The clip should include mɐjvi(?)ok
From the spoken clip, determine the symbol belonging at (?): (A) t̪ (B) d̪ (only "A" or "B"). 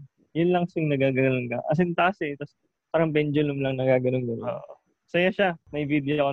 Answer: B